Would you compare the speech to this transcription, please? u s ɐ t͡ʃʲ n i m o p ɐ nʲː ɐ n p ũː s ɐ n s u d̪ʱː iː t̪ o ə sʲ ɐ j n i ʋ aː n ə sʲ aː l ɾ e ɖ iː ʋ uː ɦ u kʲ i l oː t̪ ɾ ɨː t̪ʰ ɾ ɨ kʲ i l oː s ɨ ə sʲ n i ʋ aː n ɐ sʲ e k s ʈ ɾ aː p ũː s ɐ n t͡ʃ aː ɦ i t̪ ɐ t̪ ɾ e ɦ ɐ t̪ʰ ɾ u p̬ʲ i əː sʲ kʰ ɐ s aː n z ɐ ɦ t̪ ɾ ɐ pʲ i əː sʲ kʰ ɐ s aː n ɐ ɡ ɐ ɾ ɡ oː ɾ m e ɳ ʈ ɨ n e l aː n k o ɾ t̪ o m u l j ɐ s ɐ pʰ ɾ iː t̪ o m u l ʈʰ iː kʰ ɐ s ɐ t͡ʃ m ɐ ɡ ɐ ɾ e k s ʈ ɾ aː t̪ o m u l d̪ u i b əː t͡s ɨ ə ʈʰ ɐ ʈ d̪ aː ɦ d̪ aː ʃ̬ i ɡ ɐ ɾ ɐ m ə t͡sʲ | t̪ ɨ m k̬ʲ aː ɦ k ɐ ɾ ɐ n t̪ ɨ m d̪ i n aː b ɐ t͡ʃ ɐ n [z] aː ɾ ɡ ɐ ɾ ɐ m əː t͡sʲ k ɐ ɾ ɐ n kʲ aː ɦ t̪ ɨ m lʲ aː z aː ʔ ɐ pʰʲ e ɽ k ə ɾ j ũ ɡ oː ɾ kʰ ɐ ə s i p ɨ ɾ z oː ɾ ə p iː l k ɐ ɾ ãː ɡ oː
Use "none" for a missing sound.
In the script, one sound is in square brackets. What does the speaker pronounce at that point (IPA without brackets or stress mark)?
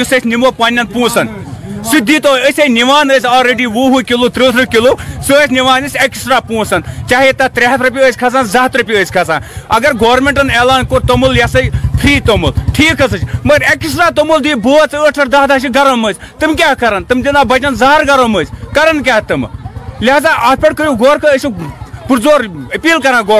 z